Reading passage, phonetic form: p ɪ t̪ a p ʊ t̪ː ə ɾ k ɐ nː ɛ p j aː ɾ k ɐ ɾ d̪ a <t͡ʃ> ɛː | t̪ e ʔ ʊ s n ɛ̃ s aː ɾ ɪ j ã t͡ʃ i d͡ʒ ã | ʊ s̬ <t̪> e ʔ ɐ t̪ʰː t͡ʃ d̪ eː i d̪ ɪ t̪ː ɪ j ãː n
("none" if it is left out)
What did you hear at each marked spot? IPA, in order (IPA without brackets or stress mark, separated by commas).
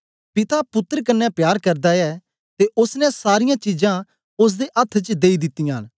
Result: none, d̪